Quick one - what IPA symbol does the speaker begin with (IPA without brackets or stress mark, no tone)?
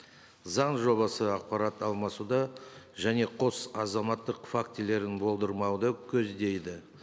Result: z